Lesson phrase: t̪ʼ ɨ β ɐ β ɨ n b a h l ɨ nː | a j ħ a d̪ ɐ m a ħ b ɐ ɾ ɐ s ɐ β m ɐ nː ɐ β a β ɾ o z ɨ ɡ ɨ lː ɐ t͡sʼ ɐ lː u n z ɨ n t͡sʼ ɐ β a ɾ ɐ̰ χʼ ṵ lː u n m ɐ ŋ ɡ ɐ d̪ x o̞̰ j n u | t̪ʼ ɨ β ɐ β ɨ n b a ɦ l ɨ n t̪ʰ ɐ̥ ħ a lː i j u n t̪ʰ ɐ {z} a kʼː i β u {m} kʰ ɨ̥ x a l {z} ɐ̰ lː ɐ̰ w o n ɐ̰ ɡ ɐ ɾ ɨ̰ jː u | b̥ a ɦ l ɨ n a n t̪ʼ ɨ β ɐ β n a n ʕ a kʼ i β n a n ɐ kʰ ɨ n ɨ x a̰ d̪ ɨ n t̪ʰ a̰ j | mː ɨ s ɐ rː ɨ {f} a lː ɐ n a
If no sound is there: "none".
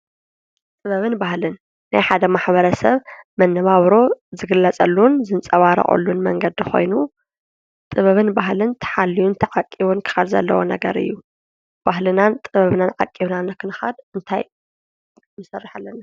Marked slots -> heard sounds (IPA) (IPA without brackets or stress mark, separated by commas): ʕ, n, z, ħ